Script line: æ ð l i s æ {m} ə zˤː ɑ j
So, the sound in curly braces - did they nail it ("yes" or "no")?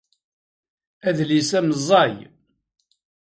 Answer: yes